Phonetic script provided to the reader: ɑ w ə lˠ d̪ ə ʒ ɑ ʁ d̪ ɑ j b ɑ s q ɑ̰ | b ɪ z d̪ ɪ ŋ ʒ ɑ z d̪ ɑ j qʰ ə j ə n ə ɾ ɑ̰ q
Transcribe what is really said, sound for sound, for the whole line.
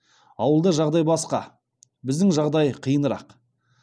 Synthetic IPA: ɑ w ə lˠ d̪ ə ʒ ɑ ʁ d̪ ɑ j b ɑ s q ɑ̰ | b ɪ z d̪ ɪ ŋ ʒ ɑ ʁ d̪ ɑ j qʰ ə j ə n ə ɾ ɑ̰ q

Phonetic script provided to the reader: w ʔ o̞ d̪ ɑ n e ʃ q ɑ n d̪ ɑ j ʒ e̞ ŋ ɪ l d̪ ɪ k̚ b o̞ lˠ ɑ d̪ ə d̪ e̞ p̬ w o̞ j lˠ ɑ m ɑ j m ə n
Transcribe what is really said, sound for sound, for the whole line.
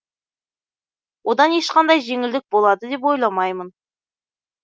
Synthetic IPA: w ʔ o̞ d̪ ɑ n e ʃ q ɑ n d̪ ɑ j ʒ e̞ ŋ ɪ l d̪ ɪ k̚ b o̞ lˠ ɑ d̪ ə d̪ e̞ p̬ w o̞ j lˠ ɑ m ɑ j m ə n

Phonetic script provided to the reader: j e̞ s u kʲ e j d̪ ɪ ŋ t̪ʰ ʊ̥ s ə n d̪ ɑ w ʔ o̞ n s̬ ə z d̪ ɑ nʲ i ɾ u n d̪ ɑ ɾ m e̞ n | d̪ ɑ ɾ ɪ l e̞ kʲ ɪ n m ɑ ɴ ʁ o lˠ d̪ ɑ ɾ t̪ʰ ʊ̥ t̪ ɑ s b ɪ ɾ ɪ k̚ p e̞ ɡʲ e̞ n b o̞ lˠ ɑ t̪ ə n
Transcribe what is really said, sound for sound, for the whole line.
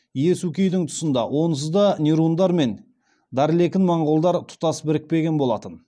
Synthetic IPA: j e̞ s u kʲ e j d̪ ɪ ŋ t̪ʰ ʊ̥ s ə n d̪ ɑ w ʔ o̞ n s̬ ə z d̪ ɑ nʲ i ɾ u n d̪ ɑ ɾ m e̞ n | d̪ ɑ ɾ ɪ l e̞ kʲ ɪ n m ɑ ɴ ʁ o lˠ d̪ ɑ ɾ t̪ʰ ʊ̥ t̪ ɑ s b ɪ ɾ ɪ k̚ p e̞ ɡʲ e̞ n b o̞ lˠ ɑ t̪ ə n

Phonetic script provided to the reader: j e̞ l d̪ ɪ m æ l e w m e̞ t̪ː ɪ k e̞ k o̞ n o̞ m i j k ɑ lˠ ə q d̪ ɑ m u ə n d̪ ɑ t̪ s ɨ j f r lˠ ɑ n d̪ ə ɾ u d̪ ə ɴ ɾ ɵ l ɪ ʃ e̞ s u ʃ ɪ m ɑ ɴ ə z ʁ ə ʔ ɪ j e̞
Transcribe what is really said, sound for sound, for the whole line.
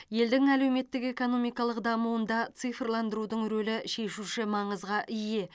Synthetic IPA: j e̞ l d̪ ɪ ŋ æ l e w m e̞ t̪ː ɪ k e̞ k o̞ n o̞ m i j k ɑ lˠ ə q d̪ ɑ m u ə n d̪ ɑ t̪ s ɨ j f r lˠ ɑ n d̪ ə ɾ u d̪ ə ɴ ɾ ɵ l ɪ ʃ e̞ ʃ u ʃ ɪ m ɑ ɴ ə z ʁ ɑ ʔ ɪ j e̞

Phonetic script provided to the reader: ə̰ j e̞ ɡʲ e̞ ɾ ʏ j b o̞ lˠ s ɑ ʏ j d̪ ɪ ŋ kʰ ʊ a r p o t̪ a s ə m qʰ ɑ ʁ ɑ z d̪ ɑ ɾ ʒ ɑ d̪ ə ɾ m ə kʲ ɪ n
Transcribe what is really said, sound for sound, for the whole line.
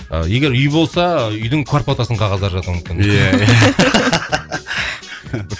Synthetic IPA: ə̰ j e̞ ɡʲ e̞ ɾ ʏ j b o̞ lˠ s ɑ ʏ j d̪ ɪ ŋ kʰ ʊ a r p o t̪ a s ə ɴ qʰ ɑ ʁ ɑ z d̪ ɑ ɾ ʒ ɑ t̪ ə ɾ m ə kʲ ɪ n

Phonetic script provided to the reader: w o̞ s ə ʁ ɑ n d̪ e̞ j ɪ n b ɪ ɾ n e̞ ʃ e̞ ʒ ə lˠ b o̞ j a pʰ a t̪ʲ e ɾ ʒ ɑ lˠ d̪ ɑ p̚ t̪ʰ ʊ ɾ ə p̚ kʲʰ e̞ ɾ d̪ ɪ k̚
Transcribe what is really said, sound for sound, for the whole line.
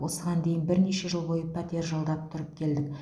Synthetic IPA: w o̞ s ə ʁ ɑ n d̪ e̞ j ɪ n b ɪ ɾ n e̞ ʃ e̞ ʒ ə lˠ b o̞ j ə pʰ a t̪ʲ e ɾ ʒ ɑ lˠ d̪ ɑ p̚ t̪ʰ ʊ ɾ ə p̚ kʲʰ e̞ l d̪ ɪ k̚

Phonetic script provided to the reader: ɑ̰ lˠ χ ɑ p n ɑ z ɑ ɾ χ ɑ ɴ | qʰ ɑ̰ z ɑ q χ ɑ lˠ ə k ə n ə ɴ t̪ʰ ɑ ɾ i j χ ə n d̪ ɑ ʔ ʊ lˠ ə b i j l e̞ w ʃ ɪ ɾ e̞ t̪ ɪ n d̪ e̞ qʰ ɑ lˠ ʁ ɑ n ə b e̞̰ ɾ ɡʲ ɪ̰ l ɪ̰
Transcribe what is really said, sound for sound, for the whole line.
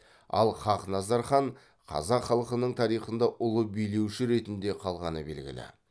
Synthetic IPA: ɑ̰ lˠ χ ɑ q n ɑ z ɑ ɾ χ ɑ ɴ | qʰ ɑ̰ z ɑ q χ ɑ lˠ ə q ə n ə ɴ t̪ʰ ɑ ɾ i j χ ə n d̪ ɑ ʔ ʊ lˠ ə b i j l e̞ w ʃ ɪ ɾ e̞ t̪ ɪ n d̪ e̞ qʰ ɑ lˠ ʁ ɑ n ə b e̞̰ l ɡʲ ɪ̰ l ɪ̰

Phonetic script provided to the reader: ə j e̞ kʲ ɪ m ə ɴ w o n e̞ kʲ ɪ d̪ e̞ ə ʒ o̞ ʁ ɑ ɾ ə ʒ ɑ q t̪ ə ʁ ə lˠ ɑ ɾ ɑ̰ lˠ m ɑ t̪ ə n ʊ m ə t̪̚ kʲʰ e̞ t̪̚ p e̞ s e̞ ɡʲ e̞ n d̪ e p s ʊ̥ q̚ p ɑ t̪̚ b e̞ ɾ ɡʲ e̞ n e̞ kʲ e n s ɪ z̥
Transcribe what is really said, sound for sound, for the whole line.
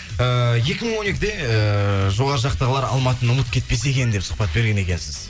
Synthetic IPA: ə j e̞ kʲ ɪ m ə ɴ w o n e̞ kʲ ɪ d̪ e̞ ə ʒ o̞ ʁ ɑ ɾ ə ʒ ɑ q t̪ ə ʁ ə lˠ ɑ ɾ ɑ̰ lˠ m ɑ t̪ ə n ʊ m ə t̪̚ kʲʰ e̞ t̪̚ p e̞ s e̞ kʲ e̞ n d̪ e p s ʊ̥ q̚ p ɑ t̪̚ b e̞ ɾ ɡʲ e̞ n e̞ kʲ e n s ɪ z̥

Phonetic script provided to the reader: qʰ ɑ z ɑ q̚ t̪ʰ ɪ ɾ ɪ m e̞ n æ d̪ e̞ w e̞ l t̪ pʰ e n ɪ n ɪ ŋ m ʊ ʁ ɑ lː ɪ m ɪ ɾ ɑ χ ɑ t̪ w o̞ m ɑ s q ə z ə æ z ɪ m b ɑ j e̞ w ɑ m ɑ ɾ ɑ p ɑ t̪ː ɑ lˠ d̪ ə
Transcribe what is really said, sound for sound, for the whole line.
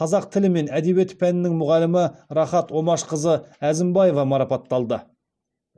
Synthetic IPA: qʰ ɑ z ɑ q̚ t̪ʰ ɪ l ɪ m e̞ n æ d̪ e̞ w e̞ t̪ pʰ æ n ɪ n ɪ ŋ m ʊ ʁ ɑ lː ɪ m ɪ ɾ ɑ χ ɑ t̪ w o̞ m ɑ ʃ q ə z ə æ z ɪ m b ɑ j e̞ v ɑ m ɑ ɾ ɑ p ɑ t̪ː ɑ lˠ d̪ ə

